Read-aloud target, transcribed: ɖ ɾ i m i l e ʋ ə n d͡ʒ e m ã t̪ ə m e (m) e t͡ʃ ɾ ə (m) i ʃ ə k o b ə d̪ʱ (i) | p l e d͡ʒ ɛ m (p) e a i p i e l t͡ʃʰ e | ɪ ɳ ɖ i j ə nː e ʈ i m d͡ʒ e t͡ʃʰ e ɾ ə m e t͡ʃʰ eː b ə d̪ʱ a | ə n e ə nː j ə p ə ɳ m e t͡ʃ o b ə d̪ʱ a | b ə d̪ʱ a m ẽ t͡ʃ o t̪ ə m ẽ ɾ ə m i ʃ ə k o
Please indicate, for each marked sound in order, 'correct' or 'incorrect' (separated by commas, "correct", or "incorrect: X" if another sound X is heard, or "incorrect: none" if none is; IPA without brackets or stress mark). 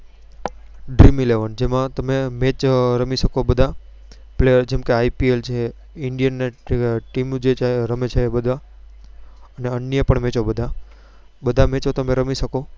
correct, correct, incorrect: a, incorrect: k